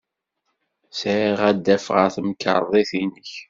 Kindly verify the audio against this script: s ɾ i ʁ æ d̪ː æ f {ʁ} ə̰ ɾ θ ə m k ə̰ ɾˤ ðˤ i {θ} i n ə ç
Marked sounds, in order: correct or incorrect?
correct, correct

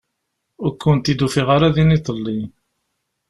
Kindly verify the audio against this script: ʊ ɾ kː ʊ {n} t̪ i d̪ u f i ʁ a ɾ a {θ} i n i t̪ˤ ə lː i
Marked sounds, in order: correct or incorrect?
correct, incorrect: ð

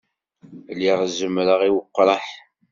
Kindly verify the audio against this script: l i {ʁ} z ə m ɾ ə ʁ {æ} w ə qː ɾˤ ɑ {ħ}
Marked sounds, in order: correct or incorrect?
correct, incorrect: i, correct

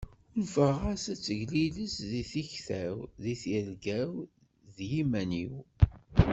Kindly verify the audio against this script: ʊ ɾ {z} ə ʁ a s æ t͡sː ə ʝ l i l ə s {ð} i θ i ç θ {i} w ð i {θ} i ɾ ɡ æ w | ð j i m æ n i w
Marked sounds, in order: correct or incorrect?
incorrect: v, correct, incorrect: æ, correct

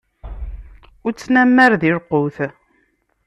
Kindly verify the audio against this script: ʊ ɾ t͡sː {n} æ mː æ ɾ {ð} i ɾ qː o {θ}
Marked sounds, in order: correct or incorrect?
correct, correct, correct

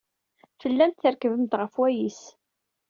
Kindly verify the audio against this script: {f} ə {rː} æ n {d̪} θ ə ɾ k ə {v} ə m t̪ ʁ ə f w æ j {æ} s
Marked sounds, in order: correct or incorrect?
correct, incorrect: lː, incorrect: t̪, correct, incorrect: i

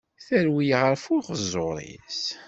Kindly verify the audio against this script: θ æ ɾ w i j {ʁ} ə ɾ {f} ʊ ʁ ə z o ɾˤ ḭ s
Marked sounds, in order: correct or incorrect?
correct, correct

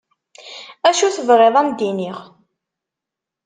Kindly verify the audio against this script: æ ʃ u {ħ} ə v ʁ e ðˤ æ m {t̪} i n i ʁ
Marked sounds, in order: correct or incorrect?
incorrect: θ, incorrect: d̪

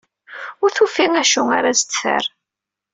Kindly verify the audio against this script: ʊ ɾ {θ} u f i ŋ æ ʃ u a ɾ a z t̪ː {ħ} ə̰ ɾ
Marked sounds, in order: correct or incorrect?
correct, incorrect: f

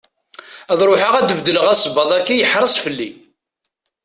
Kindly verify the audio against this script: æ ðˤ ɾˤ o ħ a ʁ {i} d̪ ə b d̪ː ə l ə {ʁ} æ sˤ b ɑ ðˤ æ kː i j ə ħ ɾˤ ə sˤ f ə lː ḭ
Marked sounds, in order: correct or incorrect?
incorrect: æ, correct

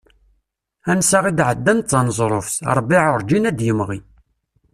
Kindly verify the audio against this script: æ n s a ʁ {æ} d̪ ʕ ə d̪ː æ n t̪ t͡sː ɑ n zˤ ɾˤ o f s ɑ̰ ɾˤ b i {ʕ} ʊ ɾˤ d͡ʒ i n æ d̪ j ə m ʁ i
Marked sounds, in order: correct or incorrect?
incorrect: i, correct

